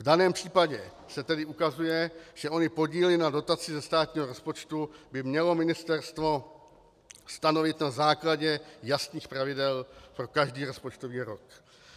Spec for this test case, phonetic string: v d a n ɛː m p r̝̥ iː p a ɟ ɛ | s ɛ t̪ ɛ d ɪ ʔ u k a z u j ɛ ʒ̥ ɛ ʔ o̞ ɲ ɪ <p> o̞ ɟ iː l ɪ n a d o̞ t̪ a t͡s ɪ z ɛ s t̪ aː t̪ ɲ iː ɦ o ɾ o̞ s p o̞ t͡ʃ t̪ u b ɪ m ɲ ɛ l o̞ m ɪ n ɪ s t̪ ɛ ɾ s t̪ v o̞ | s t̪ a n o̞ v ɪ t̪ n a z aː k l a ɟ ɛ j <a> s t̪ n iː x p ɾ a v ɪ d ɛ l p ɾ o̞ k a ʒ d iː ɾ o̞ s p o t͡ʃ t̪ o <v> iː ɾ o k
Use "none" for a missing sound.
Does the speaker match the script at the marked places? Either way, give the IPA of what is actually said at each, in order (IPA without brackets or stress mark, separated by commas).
p, a, v